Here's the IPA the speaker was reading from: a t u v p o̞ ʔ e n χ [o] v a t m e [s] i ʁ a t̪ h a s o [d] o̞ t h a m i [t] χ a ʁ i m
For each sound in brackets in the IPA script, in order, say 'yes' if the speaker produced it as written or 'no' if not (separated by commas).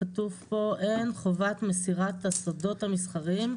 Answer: yes, yes, yes, no